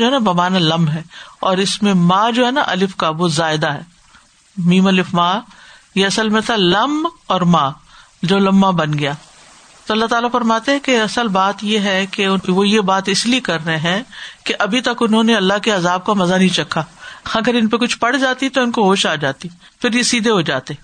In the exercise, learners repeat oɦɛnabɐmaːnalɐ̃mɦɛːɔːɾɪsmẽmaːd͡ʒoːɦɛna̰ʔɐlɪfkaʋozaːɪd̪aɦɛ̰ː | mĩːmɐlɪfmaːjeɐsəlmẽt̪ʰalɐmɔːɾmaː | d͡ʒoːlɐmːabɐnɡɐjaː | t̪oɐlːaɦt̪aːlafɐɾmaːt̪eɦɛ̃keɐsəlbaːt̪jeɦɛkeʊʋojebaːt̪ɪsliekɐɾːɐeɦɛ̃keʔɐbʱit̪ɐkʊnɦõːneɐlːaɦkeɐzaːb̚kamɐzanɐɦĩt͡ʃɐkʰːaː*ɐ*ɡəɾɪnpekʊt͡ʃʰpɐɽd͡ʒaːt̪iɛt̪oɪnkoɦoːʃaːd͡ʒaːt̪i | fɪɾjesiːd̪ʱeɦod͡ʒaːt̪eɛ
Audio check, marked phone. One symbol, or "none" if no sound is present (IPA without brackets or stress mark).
ɐ